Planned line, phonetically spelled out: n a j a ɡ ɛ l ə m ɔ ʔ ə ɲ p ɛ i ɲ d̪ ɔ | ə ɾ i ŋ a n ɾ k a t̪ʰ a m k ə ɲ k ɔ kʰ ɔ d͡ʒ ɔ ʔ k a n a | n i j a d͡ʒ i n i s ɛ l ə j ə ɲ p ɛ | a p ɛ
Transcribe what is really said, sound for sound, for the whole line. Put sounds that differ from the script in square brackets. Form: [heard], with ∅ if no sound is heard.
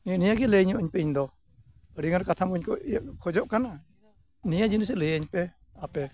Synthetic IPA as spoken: n [i] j a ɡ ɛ l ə [ɲ] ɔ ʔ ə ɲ p ɛ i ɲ d̪ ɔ | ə ɾ i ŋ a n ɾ k a t̪ʰ a m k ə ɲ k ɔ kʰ ɔ d͡ʒ ɔ ʔ k a n a | n i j a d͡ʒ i n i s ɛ l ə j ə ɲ p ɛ | a p ɛ